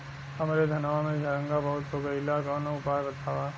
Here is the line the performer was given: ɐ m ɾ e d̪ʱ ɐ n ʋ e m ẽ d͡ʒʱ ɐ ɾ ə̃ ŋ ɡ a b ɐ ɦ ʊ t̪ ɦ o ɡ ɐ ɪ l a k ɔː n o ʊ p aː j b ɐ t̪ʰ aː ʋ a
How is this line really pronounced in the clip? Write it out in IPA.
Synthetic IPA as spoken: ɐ m ɾ e d̪ʱ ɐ n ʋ a m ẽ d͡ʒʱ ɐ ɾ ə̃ ŋ ɡ a b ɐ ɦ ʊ t̪ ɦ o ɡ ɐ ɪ l a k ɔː n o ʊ p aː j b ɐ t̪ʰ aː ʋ a